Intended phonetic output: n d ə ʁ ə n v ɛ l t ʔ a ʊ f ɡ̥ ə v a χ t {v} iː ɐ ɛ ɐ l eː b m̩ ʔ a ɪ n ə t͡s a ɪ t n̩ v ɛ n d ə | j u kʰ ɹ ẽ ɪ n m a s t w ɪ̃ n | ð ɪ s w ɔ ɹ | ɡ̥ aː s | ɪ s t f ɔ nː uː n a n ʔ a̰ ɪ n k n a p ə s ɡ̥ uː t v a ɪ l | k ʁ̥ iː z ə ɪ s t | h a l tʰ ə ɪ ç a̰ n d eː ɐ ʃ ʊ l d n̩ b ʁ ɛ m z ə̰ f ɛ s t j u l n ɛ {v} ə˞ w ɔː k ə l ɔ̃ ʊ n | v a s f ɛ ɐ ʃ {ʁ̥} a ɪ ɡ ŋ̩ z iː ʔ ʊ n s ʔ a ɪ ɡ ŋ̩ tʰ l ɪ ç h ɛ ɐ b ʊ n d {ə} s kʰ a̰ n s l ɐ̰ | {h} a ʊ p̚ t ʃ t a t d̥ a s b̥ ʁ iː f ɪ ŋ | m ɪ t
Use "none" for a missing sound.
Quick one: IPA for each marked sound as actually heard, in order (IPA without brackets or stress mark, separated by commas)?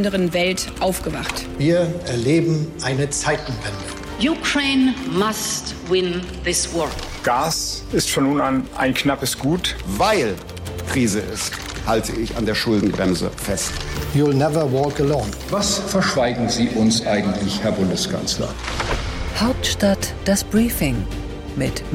v, v, v̥, ə, h